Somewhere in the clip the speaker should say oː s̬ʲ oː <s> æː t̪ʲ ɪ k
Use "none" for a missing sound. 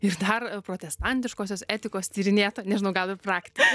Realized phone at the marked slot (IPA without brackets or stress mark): s